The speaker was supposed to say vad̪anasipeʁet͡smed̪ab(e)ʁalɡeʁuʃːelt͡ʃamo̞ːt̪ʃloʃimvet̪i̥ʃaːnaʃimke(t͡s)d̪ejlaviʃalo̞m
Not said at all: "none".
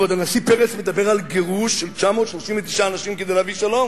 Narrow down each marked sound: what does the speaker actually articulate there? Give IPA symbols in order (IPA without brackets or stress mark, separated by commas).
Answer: e, none